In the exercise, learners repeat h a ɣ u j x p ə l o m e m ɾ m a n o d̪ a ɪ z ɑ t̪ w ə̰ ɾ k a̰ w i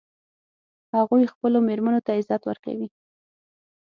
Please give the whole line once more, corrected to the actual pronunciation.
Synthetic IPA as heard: h a ɣ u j x p ə l o m e ɾ m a n o t̪ a ɪ z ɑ t̪ w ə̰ ɾ k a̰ w i